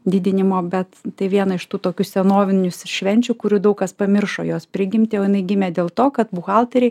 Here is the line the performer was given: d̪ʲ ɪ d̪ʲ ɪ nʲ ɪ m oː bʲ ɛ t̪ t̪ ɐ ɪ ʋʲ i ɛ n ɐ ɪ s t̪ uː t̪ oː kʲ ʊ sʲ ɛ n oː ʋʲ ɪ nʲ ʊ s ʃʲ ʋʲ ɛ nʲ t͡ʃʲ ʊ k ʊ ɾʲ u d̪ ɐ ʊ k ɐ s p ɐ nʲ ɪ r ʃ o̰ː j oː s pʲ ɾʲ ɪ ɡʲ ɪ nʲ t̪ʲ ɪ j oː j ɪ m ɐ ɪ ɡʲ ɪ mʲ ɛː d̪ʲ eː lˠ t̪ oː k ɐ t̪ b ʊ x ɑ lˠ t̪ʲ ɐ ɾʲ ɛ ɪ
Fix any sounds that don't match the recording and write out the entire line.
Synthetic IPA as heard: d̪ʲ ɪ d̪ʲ ɪ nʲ ɪ m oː bʲ ɛ t̪ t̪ ɐ ɪ ʋʲ i ɛ n ɐ ɪ ʃ t̪ uː t̪ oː kʲ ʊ sʲ ɛ n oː ʋʲ ɪ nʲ ʊ s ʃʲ ʋʲ ɛ nʲ t͡ʃʲ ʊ k ʊ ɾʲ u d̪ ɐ ʊ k ɐ s p ɐ mʲ ɪ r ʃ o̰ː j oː s pʲ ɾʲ ɪ ɡʲ ɪ mʲ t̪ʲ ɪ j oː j ɪ n ɐ ɪ ɡʲ ɪ mʲ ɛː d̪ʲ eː lˠ t̪ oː k ɐ t̪ b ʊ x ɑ lˠ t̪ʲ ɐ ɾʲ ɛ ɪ